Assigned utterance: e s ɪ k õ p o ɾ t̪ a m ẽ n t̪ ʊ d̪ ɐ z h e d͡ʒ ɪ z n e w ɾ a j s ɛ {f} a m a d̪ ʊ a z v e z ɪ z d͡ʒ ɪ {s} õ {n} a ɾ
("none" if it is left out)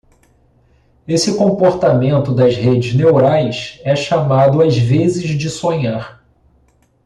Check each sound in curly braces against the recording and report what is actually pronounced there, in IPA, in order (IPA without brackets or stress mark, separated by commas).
ʃ, s, ɲ